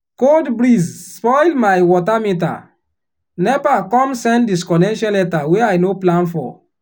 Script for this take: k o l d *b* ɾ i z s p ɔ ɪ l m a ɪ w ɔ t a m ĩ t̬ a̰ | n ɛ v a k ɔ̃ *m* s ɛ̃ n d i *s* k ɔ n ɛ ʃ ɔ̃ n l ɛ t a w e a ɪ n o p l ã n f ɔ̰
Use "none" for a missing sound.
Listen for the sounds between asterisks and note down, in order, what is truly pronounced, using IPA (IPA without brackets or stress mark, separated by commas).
b, m, s